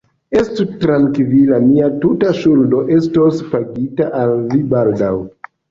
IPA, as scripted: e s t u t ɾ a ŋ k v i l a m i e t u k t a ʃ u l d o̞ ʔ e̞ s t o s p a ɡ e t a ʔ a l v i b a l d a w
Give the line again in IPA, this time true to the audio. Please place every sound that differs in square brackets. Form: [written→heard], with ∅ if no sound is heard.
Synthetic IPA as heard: e s t u t ɾ a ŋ k v i l a m i [e→a] t u [k→∅] t a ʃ u l d o̞ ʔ e̞ s t o s p a ɡ [e→i] t a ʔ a l v i b a l d a w